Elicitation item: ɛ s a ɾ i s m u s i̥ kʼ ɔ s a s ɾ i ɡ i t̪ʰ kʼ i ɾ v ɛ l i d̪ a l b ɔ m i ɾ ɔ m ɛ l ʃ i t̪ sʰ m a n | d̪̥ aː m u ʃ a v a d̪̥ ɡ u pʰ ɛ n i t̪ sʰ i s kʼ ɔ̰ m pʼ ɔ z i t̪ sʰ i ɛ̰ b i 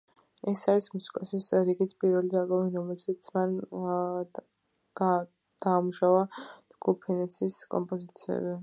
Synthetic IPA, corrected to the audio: ɛ s a ɾ i s m u s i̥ kʼ ɔ s i s ɾ i ɡ i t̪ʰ pʼ i ɾ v ɛ l i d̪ a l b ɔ m i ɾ ɔ m ɛ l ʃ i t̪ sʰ m a n | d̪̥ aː m u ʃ a v a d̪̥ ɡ u pʰ ɛ n ɛ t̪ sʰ i s kʼ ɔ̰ m pʼ ɔ z i t̪ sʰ i ɛ̰ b i